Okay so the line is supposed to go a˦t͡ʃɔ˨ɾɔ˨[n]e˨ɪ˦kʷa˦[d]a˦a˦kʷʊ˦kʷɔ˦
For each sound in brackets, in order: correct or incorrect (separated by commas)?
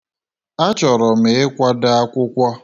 incorrect, correct